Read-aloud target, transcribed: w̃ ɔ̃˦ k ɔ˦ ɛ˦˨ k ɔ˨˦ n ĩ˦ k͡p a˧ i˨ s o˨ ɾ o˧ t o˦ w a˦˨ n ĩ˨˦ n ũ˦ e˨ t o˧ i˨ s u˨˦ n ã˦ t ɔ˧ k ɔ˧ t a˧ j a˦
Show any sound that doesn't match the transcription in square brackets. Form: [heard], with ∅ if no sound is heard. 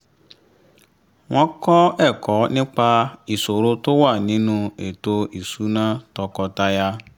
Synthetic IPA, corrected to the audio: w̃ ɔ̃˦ k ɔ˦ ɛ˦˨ k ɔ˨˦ n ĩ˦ k͡p a˧ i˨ s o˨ ɾ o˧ t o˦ w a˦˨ n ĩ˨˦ n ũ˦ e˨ t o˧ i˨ s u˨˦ n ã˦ t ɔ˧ k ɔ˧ t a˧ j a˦